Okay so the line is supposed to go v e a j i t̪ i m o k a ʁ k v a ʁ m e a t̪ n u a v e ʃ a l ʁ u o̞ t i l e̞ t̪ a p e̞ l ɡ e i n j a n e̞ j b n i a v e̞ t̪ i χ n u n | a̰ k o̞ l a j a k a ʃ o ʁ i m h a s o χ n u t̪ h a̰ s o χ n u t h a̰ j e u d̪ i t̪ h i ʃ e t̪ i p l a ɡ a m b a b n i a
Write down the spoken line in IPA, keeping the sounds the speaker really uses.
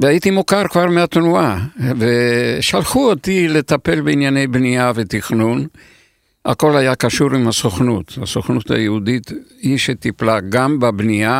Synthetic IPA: v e a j i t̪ i m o k a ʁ k v a ʁ m e a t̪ n u a v e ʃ a l χ u o̞ t i l e̞ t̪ a p e̞ l b e i n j a n e̞ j b n i a v e̞ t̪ i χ n u n | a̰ k o̞ l a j a k a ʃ u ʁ i m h a s o χ n u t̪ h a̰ s o χ n u t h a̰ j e u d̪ i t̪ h i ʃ e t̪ i p l a ɡ a m b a b n i a